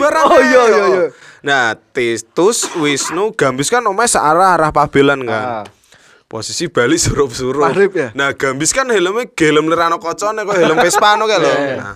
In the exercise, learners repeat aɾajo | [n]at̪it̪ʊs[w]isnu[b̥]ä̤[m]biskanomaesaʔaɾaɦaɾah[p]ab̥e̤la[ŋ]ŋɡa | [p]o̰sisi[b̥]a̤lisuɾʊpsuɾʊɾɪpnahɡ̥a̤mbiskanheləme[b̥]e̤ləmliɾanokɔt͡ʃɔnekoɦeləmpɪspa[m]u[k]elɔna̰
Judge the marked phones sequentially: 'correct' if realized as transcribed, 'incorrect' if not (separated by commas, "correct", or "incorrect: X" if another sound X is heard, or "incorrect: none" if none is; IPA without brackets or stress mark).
correct, correct, incorrect: ɡ̥, correct, correct, incorrect: n, correct, correct, incorrect: ɡ̥, incorrect: n, correct